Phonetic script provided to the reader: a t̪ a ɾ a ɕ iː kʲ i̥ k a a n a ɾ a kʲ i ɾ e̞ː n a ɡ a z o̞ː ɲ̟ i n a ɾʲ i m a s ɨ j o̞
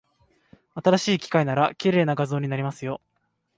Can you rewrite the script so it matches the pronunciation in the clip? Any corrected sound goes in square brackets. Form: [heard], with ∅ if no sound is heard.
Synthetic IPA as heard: a t̪ a ɾ a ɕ iː kʲ i̥ k a [i] n a ɾ a kʲ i ɾ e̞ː n a ɡ a z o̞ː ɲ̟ i n a ɾʲ i m a s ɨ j o̞